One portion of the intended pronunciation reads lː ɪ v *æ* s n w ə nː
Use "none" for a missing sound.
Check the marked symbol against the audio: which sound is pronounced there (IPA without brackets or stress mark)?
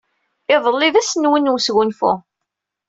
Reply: æ